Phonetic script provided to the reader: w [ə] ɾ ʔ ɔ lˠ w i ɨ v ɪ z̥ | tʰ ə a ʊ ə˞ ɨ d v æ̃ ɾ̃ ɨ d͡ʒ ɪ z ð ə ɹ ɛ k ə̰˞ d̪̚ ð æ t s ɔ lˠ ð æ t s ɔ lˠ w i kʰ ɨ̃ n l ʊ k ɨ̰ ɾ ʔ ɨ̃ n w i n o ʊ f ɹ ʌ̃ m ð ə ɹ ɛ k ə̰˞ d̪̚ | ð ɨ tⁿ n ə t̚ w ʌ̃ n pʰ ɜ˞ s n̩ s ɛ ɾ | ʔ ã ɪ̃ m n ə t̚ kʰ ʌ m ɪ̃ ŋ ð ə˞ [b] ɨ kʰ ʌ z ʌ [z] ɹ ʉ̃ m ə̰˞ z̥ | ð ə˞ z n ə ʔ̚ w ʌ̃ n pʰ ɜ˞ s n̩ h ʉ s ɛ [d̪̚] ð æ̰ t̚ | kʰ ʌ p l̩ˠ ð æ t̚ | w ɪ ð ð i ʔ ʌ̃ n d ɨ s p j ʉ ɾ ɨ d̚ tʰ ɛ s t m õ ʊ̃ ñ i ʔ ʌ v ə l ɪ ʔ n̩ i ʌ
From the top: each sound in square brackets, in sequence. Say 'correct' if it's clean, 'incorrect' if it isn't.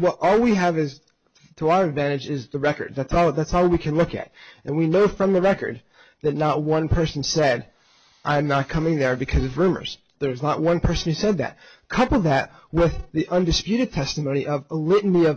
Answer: incorrect: ʌ, correct, incorrect: v, correct

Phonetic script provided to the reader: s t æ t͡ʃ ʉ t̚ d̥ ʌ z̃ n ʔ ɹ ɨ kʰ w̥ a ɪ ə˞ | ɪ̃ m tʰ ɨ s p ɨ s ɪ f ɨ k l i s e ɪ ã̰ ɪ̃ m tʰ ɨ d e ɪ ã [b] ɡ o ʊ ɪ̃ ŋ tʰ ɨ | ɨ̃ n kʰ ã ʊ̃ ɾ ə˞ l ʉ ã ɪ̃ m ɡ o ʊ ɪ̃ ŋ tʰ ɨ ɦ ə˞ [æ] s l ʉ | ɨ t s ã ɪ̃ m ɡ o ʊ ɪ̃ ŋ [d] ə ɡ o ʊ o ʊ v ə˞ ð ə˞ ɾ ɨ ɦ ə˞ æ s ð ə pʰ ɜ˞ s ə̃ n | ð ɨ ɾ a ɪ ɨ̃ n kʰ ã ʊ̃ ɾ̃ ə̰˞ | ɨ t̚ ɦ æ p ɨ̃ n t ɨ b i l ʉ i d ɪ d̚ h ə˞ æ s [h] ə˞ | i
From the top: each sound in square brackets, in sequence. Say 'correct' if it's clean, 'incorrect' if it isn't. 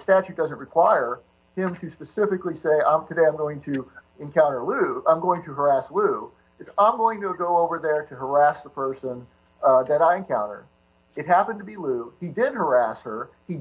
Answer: incorrect: m, correct, incorrect: t, correct

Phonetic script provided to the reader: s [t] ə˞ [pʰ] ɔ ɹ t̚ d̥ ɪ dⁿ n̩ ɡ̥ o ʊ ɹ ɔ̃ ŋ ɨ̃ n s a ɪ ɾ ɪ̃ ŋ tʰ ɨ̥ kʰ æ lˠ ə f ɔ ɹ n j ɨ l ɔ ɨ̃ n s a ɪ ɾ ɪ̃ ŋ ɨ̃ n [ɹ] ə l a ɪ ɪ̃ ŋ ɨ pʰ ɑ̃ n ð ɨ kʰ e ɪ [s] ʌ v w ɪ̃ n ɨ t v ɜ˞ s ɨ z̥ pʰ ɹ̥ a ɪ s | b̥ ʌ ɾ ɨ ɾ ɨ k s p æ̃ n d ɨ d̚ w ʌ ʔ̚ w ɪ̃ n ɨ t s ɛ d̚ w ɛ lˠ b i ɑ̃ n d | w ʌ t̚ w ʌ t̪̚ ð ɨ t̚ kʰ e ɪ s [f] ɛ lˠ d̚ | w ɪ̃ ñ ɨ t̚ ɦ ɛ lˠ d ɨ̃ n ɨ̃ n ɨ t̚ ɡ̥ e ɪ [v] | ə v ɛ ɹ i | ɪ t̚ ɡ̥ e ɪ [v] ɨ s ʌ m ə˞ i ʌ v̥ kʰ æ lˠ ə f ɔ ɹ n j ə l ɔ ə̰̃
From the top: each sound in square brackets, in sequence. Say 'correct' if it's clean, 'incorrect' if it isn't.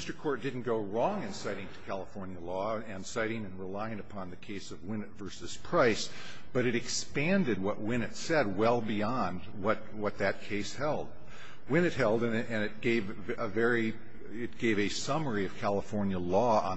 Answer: correct, incorrect: kʰ, correct, correct, incorrect: h, correct, correct

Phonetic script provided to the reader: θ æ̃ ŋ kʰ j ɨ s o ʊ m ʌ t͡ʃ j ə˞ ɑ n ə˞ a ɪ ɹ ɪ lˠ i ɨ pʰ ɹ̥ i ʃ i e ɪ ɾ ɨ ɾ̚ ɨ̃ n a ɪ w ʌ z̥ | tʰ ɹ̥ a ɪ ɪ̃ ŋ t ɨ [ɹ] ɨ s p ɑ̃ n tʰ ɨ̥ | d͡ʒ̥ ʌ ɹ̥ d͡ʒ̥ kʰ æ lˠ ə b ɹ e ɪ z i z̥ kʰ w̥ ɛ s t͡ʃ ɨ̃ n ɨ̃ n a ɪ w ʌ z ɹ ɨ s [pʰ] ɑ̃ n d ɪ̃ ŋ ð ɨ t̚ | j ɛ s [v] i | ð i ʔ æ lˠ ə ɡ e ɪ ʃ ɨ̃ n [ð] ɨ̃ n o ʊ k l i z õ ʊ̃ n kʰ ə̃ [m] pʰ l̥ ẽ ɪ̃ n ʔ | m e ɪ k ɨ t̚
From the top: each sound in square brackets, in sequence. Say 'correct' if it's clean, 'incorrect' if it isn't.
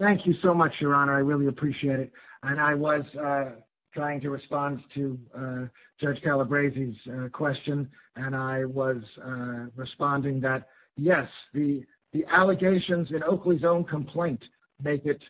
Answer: correct, incorrect: p, incorrect: ð, incorrect: z, correct

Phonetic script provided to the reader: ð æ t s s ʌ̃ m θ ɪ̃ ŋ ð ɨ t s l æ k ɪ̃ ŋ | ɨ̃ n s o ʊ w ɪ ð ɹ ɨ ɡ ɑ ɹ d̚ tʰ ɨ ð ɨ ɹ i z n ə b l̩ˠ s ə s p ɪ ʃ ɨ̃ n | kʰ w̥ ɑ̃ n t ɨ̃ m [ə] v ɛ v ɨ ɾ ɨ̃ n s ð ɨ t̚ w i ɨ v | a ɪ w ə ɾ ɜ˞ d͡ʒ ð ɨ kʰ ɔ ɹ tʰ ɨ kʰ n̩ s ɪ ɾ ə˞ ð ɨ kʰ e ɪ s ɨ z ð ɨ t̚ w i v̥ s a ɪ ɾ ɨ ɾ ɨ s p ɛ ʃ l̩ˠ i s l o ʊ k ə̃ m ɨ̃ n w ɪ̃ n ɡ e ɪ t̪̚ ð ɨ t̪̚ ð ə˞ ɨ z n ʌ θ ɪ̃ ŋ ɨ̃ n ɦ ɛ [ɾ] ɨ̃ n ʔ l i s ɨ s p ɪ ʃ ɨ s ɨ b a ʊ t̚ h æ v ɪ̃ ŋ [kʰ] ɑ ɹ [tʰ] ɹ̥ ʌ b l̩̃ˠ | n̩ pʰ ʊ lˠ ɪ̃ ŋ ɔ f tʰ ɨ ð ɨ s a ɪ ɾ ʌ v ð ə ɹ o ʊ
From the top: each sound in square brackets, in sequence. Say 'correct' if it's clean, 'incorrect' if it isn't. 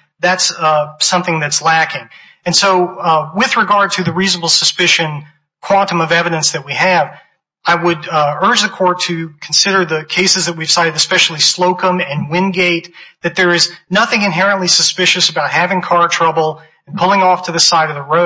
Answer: incorrect: ʌ, incorrect: ɹ, correct, correct

